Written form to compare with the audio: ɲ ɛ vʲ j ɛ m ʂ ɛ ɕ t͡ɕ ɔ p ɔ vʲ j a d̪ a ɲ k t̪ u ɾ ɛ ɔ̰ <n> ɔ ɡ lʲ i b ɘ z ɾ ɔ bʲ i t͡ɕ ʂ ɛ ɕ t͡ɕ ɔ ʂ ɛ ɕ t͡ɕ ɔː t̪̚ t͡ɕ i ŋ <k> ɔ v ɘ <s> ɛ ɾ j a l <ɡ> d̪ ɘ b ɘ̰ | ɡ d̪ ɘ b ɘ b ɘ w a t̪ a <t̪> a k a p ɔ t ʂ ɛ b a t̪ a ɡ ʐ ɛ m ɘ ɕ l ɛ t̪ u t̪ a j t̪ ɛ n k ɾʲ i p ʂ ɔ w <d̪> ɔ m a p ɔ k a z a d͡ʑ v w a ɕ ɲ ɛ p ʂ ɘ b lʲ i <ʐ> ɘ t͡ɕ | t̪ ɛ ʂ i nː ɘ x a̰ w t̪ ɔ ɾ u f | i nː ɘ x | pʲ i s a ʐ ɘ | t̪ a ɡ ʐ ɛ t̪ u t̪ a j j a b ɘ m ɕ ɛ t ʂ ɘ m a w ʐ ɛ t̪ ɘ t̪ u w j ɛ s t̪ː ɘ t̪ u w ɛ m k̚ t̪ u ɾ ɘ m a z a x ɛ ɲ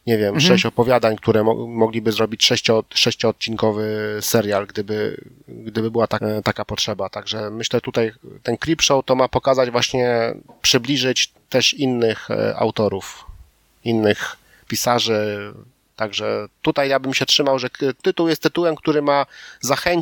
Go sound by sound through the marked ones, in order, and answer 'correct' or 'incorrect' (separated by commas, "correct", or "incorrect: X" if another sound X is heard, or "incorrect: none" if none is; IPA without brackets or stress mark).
incorrect: m, correct, correct, correct, correct, incorrect: t̪, correct